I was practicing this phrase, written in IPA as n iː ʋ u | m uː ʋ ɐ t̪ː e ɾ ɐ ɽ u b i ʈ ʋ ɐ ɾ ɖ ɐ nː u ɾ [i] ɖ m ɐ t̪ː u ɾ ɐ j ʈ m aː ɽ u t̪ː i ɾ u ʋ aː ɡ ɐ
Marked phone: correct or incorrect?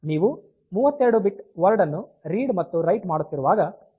incorrect